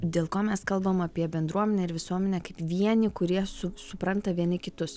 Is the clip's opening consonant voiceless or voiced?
voiced